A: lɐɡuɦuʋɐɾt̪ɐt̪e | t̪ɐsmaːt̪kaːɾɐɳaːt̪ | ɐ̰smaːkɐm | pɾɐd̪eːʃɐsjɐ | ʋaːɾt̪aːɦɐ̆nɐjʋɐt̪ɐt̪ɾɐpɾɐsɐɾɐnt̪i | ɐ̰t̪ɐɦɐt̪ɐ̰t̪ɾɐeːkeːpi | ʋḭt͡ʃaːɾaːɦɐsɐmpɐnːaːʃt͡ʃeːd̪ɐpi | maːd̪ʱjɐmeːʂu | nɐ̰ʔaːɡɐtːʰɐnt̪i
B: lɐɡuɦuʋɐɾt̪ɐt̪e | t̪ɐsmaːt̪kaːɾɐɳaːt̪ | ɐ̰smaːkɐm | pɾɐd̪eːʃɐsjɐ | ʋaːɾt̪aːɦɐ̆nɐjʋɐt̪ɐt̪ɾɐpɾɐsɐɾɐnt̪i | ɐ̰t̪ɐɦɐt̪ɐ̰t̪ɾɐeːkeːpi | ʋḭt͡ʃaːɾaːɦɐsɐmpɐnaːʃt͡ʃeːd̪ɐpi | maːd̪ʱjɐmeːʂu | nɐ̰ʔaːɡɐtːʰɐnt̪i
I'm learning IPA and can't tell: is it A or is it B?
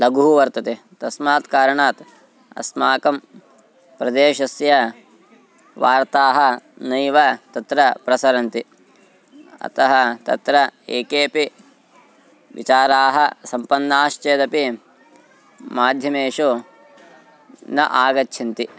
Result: A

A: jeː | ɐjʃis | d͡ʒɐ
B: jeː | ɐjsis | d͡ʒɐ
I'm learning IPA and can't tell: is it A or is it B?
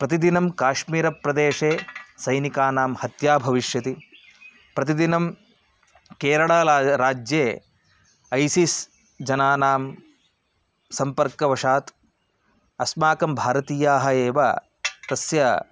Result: B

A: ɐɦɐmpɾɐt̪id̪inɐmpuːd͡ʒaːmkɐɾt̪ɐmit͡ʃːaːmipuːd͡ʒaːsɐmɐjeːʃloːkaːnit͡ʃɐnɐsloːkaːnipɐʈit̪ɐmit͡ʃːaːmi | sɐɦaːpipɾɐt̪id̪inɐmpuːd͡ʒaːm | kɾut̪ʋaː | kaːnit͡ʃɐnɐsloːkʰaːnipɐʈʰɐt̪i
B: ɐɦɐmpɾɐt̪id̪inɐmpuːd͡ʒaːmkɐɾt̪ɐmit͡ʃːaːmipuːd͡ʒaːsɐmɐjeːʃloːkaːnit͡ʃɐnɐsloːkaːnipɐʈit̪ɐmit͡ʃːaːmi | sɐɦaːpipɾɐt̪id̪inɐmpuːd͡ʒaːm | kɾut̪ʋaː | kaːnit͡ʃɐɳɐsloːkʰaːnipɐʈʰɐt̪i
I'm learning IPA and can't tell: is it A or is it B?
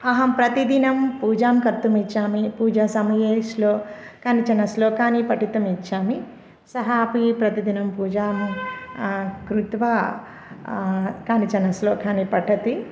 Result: A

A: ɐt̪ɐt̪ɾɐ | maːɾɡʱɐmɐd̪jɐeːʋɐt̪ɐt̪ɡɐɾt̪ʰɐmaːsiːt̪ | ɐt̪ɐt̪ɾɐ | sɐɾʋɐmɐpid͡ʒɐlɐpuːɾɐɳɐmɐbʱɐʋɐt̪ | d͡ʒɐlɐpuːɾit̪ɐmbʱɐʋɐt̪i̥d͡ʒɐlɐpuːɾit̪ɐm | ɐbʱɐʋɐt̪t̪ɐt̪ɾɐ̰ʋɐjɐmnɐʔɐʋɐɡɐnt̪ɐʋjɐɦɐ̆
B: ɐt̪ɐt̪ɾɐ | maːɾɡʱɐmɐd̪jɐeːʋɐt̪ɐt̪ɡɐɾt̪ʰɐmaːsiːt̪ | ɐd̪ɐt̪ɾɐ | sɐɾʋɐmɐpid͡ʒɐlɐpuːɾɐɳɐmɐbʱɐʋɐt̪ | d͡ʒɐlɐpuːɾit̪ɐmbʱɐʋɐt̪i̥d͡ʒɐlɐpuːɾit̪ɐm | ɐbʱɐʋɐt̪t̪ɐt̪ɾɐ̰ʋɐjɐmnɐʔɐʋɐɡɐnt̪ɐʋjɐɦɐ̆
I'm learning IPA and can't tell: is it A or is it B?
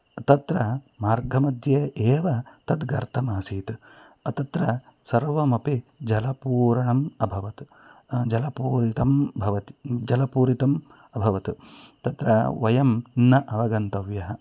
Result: A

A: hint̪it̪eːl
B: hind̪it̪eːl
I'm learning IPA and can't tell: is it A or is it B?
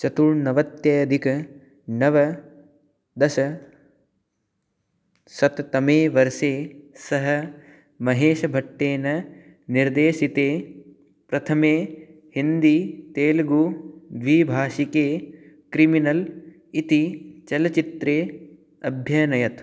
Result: B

